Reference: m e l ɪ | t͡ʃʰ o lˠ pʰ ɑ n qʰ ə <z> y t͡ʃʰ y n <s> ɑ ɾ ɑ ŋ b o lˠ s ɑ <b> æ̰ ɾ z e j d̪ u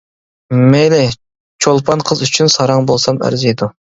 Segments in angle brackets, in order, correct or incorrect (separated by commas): correct, correct, incorrect